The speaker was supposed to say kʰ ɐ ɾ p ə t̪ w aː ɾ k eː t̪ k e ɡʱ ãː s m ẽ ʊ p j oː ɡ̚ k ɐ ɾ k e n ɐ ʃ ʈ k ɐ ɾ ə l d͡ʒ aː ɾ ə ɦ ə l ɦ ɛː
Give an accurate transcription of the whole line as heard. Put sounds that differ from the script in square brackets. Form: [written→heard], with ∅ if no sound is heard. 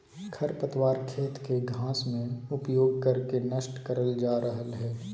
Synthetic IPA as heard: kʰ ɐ ɾ p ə t̪ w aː ɾ [k→kʰ] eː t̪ k e ɡʱ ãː s m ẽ ʊ p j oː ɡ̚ k ɐ ɾ k e n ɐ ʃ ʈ k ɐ ɾ ə l d͡ʒ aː ɾ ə ɦ ə l ɦ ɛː

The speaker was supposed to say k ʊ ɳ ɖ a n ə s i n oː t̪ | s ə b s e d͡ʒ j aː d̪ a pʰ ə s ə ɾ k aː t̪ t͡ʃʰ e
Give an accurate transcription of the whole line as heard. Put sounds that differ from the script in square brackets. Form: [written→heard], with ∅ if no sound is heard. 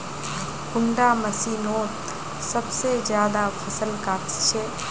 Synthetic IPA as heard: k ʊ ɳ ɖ a [n→m] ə s i n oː t̪ | s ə b s e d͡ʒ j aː d̪ a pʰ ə s ə [ɾ→l] k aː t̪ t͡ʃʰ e

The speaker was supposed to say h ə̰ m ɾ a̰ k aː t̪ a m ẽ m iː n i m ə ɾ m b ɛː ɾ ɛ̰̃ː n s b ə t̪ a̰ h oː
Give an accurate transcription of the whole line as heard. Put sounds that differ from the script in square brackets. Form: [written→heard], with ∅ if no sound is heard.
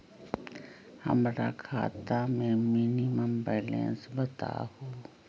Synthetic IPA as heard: h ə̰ m ɾ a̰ [k→kʰ] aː t̪ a m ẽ m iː n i m ə [ɾ→∅] m b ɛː [ɾ→l] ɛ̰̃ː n s b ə t̪ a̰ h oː

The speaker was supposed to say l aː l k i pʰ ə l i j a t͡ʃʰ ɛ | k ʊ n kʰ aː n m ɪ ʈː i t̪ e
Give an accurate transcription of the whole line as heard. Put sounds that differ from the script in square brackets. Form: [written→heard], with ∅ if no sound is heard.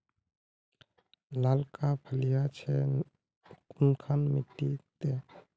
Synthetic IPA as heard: l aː l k [i→a] pʰ ə l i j a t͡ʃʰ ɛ | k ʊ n kʰ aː n m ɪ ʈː i t̪ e

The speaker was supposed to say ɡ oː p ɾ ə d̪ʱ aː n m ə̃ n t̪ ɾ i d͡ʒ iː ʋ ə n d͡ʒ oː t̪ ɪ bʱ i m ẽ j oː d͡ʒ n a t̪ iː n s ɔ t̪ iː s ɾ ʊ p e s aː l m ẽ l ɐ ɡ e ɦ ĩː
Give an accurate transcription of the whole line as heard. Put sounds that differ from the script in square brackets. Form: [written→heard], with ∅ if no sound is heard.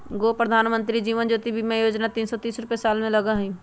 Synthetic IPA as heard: ɡ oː p ɾ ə d̪ʱ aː n m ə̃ n t̪ ɾ i d͡ʒ iː ʋ ə n d͡ʒ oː t̪ [ɪ→i] bʱ i m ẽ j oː d͡ʒ n a t̪ iː n s ɔ t̪ iː s ɾ ʊ p e s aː l m ẽ l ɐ ɡ [e→a] ɦ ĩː

